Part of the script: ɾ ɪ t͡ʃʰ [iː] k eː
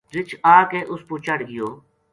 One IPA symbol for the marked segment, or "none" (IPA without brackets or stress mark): aː